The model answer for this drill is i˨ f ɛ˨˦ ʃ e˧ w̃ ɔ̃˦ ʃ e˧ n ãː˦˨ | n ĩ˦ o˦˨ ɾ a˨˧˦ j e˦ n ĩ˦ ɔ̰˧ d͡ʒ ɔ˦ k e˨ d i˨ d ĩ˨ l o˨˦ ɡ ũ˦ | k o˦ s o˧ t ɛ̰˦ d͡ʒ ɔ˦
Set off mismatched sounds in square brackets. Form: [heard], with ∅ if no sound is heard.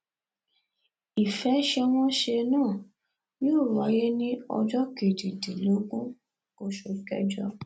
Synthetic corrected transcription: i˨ f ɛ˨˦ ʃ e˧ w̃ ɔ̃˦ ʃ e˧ n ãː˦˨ | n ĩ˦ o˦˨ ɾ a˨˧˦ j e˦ n ĩ˦ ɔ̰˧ d͡ʒ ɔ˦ k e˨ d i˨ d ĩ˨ l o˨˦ ɡ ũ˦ | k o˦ [ʃ] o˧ [k] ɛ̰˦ d͡ʒ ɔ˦